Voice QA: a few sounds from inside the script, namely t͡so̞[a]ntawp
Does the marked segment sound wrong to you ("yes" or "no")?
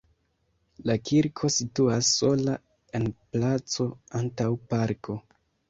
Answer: no